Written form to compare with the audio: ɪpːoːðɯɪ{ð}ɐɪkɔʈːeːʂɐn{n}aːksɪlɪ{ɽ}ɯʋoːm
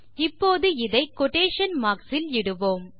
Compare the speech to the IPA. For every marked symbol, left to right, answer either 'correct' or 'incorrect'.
correct, incorrect: m, correct

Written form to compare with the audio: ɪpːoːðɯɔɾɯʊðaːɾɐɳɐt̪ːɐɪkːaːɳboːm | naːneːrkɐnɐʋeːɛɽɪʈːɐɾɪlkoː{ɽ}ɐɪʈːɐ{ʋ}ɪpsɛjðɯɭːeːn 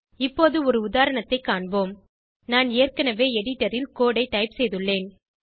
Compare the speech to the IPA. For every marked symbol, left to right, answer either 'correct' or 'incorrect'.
correct, incorrect: none

